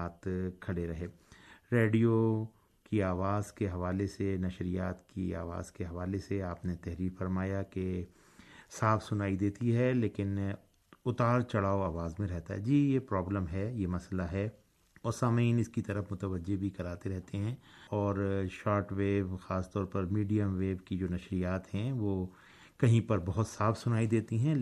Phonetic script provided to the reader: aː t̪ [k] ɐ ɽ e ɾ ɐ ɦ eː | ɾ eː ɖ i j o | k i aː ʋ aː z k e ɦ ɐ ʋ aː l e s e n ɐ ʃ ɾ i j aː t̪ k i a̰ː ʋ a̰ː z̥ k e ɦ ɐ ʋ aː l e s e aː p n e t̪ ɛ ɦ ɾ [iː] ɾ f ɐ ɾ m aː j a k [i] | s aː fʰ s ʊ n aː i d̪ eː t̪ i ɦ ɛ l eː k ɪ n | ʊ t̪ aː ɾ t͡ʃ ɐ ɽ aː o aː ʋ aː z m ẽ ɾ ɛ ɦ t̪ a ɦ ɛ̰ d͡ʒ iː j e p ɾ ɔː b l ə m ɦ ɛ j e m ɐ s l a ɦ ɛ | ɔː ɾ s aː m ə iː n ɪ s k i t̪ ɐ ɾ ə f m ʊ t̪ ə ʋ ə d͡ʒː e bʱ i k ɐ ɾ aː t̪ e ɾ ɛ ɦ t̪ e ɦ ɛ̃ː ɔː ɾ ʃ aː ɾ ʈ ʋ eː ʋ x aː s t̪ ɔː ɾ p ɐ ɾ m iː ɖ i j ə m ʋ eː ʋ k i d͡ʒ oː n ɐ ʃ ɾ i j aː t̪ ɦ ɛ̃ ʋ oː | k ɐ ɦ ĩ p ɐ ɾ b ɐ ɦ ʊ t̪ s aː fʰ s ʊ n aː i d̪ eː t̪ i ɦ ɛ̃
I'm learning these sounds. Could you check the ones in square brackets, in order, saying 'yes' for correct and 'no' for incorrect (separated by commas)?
no, yes, no